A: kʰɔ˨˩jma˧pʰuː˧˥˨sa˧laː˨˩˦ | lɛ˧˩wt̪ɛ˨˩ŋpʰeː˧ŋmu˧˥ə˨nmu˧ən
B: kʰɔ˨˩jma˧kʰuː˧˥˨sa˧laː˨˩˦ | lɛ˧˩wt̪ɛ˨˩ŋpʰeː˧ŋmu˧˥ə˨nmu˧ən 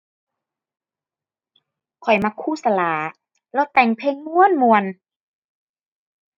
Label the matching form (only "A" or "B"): B